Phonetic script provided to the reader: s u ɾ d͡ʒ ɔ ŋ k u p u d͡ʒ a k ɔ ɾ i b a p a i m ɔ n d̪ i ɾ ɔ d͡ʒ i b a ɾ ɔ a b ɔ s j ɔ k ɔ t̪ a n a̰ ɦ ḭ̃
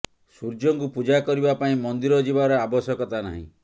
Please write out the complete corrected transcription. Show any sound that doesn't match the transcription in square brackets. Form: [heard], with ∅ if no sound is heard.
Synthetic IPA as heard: s u ɾ d͡ʒ ɔ ŋ k u p u d͡ʒ a k ɔ ɾ i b a p a [ĩ] m ɔ n d̪ i ɾ ɔ d͡ʒ i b a ɾ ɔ a b ɔ s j ɔ k ɔ t̪ a n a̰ ɦ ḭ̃